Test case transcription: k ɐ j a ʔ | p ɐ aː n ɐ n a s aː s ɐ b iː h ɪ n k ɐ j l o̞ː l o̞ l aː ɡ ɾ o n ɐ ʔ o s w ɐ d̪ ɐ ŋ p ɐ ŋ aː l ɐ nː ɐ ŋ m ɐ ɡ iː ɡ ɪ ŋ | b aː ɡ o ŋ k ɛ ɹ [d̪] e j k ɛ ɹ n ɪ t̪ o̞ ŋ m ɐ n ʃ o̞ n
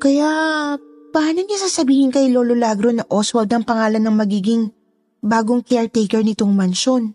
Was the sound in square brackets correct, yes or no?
no